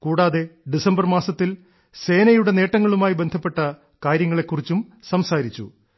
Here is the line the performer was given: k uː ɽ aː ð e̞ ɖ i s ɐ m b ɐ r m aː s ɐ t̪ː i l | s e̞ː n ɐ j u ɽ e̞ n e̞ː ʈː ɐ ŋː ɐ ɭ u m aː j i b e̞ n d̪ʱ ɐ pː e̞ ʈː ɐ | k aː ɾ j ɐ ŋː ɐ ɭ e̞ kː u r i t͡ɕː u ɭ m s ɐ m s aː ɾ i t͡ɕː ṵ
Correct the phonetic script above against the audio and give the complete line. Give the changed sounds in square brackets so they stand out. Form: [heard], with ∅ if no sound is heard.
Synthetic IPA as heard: k uː ɽ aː ð e̞ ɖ i s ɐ m b ɐ r m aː s ɐ t̪ː i l | s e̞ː n ɐ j u ɽ e̞ n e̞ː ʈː ɐ ŋː ɐ ɭ u m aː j i b e̞ n d̪ʱ ɐ pː e̞ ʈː ɐ | k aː ɾ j ɐ ŋː ɐ ɭ e̞ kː u r i t͡ɕː u [∅] m s ɐ m s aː ɾ i t͡ɕː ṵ